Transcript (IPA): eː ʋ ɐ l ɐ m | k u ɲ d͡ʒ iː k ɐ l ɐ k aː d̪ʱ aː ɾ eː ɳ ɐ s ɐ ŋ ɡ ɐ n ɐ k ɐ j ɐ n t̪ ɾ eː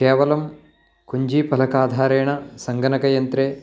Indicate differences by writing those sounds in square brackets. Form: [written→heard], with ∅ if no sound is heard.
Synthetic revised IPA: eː ʋ ɐ l ɐ m | k u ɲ d͡ʒ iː [k→p] ɐ l ɐ k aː d̪ʱ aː ɾ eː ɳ ɐ s ɐ ŋ ɡ ɐ n ɐ k ɐ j ɐ n t̪ ɾ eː

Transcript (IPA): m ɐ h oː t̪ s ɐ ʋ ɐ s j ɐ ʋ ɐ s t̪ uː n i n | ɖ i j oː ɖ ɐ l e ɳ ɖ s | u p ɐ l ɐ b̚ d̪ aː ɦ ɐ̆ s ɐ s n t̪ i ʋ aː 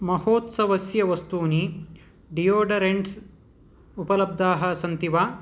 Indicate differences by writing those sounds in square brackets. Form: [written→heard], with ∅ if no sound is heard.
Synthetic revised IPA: m ɐ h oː t̪ s ɐ ʋ ɐ s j ɐ ʋ ɐ s t̪ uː n i [n→∅] | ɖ i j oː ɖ ɐ [l→ɾ] e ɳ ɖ s | u p ɐ l ɐ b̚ d̪ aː ɦ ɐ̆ s ɐ [s→∅] n t̪ i ʋ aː

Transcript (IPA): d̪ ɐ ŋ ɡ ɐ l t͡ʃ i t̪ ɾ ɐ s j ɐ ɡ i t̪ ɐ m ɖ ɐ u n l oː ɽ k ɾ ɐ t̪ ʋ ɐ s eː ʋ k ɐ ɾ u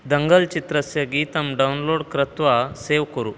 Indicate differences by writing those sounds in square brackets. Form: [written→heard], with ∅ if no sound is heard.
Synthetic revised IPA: d̪ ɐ ŋ ɡ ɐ l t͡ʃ i t̪ ɾ ɐ s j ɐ ɡ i t̪ ɐ m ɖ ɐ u n l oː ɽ k ɾ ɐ t̪ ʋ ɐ s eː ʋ k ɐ ɾ u

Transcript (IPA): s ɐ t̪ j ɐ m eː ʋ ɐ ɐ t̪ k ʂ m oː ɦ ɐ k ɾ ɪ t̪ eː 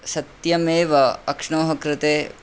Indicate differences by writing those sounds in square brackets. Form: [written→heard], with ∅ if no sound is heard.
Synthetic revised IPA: s ɐ t̪ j ɐ m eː ʋ ɐ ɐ [t̪→∅] k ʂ [m→ɳ] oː ɦ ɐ k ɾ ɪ t̪ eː

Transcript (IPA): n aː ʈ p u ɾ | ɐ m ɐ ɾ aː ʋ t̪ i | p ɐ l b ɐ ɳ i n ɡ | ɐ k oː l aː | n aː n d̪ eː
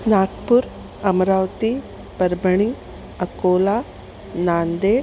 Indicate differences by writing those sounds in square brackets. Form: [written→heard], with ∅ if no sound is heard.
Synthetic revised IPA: n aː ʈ p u ɾ | ɐ m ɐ ɾ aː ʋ t̪ i | p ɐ [l→ɾ] b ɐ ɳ i [n→ŋ] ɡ | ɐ k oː l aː | n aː n d̪ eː

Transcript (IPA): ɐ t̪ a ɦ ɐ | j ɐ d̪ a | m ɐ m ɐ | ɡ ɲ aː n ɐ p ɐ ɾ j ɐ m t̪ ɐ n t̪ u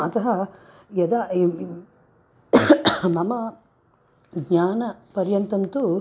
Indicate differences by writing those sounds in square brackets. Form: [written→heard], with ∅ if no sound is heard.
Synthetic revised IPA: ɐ t̪ [a→ɐ] ɦ ɐ | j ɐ d̪ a | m ɐ m ɐ | ɡ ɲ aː n ɐ p ɐ ɾ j ɐ [m→n] t̪ ɐ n t̪ u

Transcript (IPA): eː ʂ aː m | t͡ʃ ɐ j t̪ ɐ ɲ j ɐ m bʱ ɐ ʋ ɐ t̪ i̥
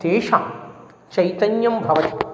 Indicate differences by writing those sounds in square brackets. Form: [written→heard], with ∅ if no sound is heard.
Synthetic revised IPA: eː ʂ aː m | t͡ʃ ɐ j t̪ ɐ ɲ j ɐ m bʱ ɐ ʋ ɐ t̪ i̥

